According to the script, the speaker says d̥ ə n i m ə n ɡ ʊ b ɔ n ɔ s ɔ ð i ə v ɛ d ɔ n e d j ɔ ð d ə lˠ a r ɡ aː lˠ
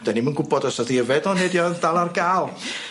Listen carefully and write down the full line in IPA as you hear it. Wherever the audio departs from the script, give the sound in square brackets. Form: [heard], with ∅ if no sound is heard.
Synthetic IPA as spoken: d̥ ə n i m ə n ɡ ʊ b ɔ [d] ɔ s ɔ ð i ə v ɛ d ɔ n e d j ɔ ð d [a] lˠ a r ɡ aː lˠ